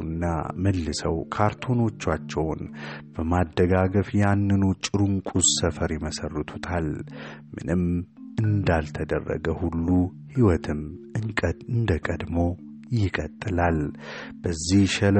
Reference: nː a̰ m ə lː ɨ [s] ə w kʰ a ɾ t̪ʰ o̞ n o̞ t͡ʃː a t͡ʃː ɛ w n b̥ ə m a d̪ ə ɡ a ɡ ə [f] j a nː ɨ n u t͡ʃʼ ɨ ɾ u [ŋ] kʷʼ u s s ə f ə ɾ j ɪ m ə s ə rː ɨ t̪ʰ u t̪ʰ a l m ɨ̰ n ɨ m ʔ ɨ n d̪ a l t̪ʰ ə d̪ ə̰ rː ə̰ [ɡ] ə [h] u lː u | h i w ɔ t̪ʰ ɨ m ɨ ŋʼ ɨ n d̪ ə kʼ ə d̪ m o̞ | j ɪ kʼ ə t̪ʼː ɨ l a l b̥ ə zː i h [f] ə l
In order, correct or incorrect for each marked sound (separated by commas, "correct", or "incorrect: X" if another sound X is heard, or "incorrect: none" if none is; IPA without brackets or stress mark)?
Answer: correct, correct, correct, correct, correct, incorrect: ʃ